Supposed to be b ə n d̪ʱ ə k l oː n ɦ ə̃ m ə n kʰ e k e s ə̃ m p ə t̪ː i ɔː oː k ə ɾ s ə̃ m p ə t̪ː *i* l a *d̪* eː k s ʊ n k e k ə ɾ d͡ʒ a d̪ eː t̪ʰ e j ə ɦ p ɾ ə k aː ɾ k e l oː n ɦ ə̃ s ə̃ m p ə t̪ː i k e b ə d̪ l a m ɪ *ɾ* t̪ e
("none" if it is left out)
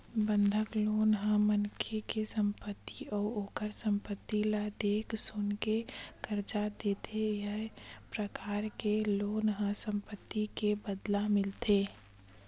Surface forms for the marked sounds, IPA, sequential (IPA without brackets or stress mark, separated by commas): i, d̪, l